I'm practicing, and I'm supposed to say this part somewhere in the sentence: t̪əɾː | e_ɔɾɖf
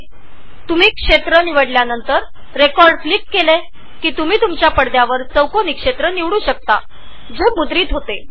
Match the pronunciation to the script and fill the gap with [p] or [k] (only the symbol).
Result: k